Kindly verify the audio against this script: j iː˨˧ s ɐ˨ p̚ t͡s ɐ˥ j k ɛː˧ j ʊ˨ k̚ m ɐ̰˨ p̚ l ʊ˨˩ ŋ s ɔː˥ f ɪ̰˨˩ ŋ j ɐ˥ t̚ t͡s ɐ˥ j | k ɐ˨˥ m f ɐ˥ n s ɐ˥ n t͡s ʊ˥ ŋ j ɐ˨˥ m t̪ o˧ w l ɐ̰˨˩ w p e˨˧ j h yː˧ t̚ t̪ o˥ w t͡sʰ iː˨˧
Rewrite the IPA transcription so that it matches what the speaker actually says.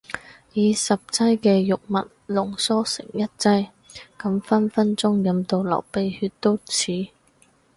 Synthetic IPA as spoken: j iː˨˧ s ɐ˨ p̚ t͡s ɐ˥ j k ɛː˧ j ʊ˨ k̚ m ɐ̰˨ t̚ l ʊ˨˩ ŋ s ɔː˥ s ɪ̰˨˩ ŋ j ɐ˥ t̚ t͡s ɐ˥ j | k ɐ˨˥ m f ɐ˥ n f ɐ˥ n t͡s ʊ˥ ŋ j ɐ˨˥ m t̪ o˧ w l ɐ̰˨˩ w p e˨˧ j h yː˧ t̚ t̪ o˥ w t͡sʰ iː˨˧

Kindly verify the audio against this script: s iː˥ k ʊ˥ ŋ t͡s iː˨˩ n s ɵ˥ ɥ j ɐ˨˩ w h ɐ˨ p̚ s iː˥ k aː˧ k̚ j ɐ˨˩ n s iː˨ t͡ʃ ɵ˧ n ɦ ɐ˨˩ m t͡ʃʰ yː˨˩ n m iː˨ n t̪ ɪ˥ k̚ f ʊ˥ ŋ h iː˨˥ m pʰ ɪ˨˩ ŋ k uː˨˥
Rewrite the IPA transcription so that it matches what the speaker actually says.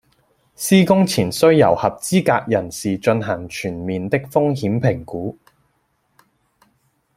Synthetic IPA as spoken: s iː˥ k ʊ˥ ŋ t͡sʰ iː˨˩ n s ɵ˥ ɥ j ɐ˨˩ w h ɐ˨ p̚ t͡s iː˥ k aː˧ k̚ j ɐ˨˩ n s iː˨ t͡ʃ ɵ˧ n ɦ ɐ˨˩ ŋ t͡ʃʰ yː˨˩ n m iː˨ n t̪ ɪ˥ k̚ f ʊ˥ ŋ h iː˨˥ m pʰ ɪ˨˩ ŋ k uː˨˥

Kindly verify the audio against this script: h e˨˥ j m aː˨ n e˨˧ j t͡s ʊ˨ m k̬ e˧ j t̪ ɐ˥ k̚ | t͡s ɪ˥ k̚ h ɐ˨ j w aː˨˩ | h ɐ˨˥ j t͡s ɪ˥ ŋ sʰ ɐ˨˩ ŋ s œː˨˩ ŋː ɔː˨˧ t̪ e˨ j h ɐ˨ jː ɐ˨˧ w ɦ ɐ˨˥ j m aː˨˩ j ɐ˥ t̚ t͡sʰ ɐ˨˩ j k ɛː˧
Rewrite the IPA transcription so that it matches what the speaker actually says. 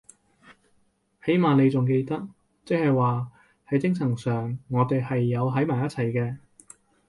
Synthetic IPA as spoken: h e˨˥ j m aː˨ n e˨˧ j t͡s ʊ˨ ŋ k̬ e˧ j t̪ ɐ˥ k̚ | t͡s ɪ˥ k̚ h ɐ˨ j w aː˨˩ | h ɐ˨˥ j t͡s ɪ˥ ŋ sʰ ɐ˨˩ ŋ s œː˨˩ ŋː ɔː˨˧ t̪ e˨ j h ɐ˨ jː ɐ˨˧ w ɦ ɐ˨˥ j m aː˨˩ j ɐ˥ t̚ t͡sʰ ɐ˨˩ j k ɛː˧

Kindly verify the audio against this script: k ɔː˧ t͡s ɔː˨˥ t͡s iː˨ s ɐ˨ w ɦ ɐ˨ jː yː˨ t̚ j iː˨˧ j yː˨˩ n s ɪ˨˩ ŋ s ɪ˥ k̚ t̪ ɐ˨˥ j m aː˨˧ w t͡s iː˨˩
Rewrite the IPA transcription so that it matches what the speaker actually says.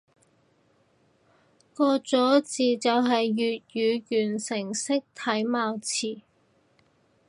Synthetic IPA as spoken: k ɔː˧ t͡s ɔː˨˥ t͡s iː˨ t͡s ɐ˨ w ɦ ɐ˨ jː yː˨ t̚ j yː˨˧ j yː˨˩ n s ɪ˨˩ ŋ s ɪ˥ k̚ t̪ʰ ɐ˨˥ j m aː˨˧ w t͡sʰ iː˨˩

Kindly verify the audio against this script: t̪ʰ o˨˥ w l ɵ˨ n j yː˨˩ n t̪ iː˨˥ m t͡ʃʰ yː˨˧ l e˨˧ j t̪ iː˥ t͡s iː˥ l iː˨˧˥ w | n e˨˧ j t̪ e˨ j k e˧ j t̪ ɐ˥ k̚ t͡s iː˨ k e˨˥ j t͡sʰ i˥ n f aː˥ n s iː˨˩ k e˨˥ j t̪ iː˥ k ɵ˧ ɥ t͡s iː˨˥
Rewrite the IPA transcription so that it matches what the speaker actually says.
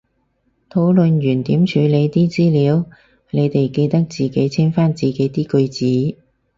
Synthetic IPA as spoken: t̪ʰ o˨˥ w l ɵ˨ n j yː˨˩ n t̪ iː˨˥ m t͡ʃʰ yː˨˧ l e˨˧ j t̪ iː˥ t͡s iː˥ l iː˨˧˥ w | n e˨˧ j t̪ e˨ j k e˧ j t̪ ɐ˥ k̚ t͡s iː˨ k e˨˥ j t͡sʰ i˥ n f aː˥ n t͡s iː˨˩ k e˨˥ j t̪ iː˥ k ɵ˧ ɥ t͡s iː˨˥

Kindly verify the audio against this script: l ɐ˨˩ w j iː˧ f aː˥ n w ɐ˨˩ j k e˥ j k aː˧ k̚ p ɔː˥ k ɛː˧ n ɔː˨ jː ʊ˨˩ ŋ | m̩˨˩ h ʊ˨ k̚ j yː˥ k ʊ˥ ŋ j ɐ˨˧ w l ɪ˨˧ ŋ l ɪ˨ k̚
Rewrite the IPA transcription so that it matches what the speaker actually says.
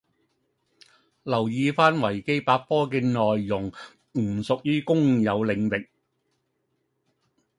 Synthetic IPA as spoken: l ɐ˨˩ w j iː˧ f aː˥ n w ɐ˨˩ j k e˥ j p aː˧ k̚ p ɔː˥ k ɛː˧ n ɔː˨ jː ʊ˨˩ ŋ | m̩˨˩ s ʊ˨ k̚ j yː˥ k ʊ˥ ŋ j ɐ˨˧ w l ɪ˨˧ ŋ l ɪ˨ k̚

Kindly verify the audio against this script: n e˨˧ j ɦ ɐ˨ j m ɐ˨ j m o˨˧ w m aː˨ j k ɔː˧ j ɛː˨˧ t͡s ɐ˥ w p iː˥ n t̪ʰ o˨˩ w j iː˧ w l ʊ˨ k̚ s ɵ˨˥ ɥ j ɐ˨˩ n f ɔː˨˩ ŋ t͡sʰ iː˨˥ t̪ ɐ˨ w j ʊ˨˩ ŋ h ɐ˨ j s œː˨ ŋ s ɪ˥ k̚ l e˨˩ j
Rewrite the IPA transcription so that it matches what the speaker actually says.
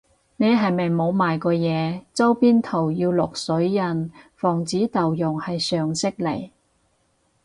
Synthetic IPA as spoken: n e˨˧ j ɦ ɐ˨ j m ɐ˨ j m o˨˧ w m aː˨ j k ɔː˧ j ɛː˨˧ t͡s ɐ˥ w p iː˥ n t̪ʰ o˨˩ w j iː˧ w l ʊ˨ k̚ s ɵ˨˥ ɥ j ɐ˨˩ n f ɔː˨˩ ŋ t͡s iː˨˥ t̪ ɐ˨ w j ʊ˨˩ ŋ h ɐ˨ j s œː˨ ŋ s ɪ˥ k̚ l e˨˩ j

